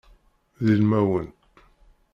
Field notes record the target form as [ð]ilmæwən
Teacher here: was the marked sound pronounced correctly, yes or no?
yes